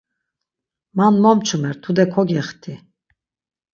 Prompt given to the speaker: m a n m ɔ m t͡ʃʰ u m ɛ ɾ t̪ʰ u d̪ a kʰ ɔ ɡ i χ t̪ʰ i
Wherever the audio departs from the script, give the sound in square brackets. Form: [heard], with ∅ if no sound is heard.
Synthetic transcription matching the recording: m a n m ɔ m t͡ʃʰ u m ɛ ɾ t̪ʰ u d̪ [ɛ] kʰ ɔ ɡ [ɛ] χ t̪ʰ i